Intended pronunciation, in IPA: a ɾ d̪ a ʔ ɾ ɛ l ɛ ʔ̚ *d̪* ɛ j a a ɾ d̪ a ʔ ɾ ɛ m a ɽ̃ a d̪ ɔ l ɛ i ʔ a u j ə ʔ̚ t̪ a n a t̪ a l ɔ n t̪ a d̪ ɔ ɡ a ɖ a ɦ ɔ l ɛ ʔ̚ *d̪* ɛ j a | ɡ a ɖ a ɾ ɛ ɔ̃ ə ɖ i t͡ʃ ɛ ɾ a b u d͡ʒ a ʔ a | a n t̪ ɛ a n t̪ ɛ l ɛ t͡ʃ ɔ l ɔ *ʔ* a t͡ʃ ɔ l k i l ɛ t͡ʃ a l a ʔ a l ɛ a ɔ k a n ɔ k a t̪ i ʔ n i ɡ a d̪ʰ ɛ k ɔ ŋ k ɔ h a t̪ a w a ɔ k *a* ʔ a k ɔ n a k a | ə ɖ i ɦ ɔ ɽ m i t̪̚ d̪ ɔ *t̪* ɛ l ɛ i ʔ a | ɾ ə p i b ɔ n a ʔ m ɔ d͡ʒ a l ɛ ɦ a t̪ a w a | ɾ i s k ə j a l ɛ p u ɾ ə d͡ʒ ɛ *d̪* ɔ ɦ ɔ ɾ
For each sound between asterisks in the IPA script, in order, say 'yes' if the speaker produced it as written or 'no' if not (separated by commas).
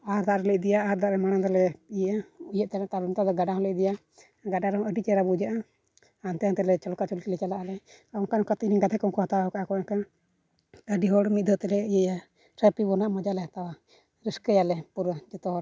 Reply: yes, yes, no, yes, yes, no